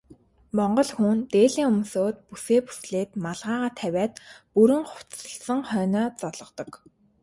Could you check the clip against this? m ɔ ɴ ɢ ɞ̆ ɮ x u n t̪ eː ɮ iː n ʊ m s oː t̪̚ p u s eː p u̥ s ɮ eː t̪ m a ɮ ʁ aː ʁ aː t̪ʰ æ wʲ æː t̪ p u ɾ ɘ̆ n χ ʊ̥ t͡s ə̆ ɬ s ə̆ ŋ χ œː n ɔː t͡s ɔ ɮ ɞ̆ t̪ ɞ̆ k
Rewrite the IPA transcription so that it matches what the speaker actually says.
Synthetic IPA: m ɔ ɴ ɢ ɞ̆ ɮ x u n t̪ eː ɮ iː ŋ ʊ m s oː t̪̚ p u s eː p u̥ s ɮ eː t̪ m a ɮ ʁ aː ʁ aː t̪ʰ æ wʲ æː t̪ p u ɾ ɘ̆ ŋ χ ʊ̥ t͡s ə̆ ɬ s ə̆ ŋ χ œː n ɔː t͡s ɔ ɮ ɞ̆ t̪ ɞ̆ k